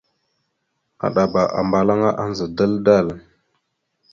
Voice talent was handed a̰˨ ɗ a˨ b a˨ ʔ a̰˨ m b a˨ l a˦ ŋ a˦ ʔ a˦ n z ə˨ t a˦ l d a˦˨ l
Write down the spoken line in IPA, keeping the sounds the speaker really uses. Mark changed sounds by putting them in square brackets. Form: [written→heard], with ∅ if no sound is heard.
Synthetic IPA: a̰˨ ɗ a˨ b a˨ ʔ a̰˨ m b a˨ l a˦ ŋ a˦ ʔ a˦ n z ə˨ [t→d] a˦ l d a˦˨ l